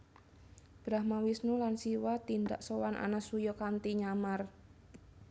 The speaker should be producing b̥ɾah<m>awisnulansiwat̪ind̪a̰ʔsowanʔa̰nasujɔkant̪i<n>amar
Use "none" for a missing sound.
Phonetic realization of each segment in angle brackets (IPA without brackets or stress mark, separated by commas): m, ɲ